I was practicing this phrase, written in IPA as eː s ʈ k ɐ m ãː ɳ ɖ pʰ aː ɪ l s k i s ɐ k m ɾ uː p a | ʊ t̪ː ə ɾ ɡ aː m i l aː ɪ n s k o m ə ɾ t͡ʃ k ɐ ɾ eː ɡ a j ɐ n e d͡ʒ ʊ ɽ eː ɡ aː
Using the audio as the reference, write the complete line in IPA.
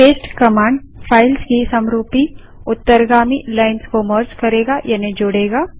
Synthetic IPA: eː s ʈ k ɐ m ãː ɳ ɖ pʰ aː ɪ l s k i s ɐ m ɾ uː p i | ʊ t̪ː ə ɾ ɡ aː m i l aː ɪ n s k o m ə ɾ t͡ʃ k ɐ ɾ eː ɡ a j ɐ n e d͡ʒ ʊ ɽ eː ɡ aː

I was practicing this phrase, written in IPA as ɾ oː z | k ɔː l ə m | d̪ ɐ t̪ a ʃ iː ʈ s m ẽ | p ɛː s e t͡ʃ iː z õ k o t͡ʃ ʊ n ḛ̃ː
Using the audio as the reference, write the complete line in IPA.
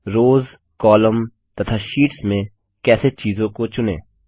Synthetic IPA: ɾ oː z | k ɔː l ə m | t̪ ɐ t̪ʰ a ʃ iː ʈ s m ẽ | k ɛː s e t͡ʃ iː z õ k o t͡ʃ ʊ n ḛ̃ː

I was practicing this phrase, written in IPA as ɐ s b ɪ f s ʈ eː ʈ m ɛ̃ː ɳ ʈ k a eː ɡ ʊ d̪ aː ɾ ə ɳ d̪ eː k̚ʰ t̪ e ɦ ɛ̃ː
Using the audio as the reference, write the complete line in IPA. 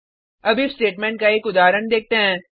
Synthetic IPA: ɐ b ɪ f s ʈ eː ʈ m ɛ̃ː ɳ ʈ k a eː k ʊ d̪ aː ɾ ə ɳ d̪ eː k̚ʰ t̪ e ɦ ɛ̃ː

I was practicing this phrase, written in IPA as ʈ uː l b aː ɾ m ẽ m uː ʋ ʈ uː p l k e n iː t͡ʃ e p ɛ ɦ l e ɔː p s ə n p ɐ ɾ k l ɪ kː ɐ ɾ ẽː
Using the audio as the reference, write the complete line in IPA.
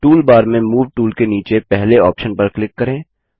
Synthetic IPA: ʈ uː l b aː ɾ m ẽ m uː ʋ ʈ uː l k e n iː t͡ʃ e p ɛ ɦ l e ɔː p ʃ ə n p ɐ ɾ k l ɪ kː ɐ ɾ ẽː

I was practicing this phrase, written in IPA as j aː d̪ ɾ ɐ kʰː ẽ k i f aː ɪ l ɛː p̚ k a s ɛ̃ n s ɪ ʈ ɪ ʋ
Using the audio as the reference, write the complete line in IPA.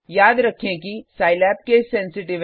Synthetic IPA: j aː d̪ ɾ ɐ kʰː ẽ k i s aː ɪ l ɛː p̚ k e s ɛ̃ n s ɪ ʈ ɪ ʋ

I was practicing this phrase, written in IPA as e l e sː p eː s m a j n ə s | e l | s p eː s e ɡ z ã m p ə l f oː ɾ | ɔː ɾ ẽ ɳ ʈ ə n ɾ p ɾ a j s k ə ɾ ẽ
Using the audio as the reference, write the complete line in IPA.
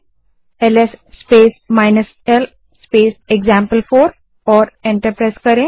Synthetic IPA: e l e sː p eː s m a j n ə s | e l | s p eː s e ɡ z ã m p ə l f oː ɾ | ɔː ɾ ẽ ɳ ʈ ə ɾ p ɾ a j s k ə ɾ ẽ

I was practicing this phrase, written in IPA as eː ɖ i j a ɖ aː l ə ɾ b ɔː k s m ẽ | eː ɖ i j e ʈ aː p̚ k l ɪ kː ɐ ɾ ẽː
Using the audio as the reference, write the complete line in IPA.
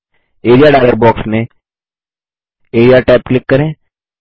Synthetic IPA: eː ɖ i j a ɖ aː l ə ɾ b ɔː k s m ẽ | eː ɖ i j a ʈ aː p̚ k l ɪ kː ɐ ɾ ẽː

